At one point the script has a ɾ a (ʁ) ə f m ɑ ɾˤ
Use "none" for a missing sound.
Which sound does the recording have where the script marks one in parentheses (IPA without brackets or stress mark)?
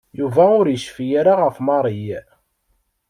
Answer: ʁ